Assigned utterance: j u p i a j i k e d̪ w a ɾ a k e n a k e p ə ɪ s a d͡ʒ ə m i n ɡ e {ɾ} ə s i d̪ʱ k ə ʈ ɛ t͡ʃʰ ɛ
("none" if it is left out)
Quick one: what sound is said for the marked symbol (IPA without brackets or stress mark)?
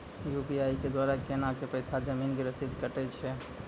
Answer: ɾ